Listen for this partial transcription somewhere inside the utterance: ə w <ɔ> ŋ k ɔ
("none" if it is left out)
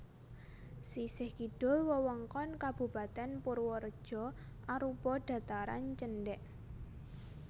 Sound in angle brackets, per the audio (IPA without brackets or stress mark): ɔ